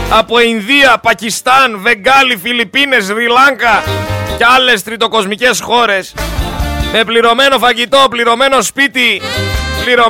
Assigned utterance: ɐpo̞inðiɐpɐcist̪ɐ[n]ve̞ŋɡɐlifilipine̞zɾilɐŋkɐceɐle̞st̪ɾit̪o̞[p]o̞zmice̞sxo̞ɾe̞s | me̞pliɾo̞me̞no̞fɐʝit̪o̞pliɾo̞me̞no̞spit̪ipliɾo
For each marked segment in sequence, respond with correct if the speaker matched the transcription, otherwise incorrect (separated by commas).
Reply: correct, incorrect